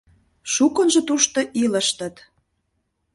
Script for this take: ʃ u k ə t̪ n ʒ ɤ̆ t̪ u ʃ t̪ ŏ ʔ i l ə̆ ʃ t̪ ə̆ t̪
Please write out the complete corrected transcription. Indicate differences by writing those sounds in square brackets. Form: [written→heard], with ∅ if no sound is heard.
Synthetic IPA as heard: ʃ u k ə [t̪→∅] n ʒ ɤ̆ t̪ u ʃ t̪ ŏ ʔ i l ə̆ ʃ t̪ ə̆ t̪